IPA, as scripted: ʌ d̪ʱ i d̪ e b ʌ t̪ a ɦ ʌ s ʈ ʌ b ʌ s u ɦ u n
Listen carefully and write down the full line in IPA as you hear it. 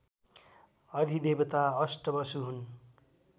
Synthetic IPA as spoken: ʌ d̪ʱ i d̪ e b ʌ t̪ a ʌ s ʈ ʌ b ʌ s u ɦ u n